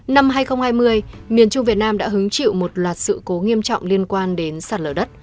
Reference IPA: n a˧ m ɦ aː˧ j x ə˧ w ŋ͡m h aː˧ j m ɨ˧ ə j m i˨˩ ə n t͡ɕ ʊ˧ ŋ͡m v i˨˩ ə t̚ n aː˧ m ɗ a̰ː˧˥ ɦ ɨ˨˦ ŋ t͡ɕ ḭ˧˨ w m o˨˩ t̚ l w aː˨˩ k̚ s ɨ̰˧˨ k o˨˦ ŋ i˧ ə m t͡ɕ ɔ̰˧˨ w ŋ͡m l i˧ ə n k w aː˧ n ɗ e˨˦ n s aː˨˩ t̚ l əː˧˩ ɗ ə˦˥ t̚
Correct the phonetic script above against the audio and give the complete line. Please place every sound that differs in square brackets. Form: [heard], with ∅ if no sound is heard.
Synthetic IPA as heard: n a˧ m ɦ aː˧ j x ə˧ w ŋ͡m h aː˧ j m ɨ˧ ə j m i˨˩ ə n t͡ɕ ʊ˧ ŋ͡m v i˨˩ ə t̚ n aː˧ m ɗ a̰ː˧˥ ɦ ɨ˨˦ ŋ t͡ɕ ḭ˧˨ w m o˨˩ t̚ l w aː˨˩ [t̚] s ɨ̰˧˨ k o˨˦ ŋ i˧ ə m t͡ɕ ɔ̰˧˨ w ŋ͡m l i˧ ə n k w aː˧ n ɗ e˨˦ n s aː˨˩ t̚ l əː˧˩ ɗ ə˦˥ t̚